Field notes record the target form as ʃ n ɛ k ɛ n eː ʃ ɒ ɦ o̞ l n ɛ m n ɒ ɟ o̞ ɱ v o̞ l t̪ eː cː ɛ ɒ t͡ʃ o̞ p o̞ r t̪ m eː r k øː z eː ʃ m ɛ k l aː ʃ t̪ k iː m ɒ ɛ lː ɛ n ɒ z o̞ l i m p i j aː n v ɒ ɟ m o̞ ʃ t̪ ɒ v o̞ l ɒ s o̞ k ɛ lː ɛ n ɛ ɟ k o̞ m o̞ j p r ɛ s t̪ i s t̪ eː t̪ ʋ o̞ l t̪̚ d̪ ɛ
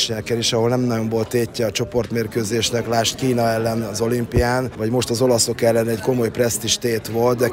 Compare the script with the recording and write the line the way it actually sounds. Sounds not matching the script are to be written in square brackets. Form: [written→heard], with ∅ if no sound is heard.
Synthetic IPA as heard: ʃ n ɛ k ɛ n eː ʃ ɒ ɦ o̞ l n ɛ m n ɒ ɟ o̞ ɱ v o̞ l t̪ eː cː ɛ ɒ t͡ʃ o̞ p o̞ r t̪ m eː r k øː z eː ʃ [m→n] ɛ k l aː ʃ t̪ k iː [m→n] ɒ ɛ lː ɛ n ɒ z o̞ l i m p i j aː n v ɒ ɟ m o̞ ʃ t̪ ɒ [v→z] o̞ l ɒ s o̞ k ɛ lː ɛ n ɛ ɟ k o̞ m o̞ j p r ɛ s t̪ i [s→ʃ] t̪ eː t̪ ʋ o̞ l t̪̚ d̪ ɛ